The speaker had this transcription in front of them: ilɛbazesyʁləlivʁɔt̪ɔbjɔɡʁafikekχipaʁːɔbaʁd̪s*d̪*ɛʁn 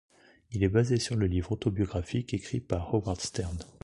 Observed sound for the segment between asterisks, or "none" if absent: t̪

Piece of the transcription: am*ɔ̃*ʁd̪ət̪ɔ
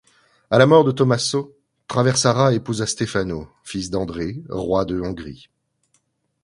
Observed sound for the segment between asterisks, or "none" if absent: ɔ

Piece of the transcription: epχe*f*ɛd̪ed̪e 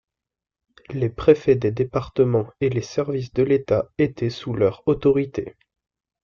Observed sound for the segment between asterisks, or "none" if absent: f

